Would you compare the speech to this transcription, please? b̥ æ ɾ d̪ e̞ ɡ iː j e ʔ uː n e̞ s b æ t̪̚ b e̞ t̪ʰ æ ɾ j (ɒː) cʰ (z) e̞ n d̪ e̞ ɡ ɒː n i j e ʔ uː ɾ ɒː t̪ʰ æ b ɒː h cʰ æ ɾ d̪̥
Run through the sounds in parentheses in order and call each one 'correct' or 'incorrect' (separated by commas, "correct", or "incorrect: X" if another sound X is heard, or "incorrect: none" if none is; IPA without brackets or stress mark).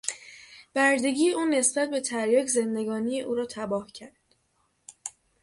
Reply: correct, correct